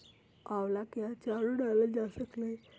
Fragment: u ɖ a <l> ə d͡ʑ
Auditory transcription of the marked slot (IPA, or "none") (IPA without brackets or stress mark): l